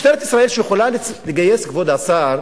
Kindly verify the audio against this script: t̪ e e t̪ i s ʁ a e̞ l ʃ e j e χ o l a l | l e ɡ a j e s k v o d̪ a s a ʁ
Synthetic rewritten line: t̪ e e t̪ i s ʁ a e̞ l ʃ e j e χ o l a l | l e ɡ a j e s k v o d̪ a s a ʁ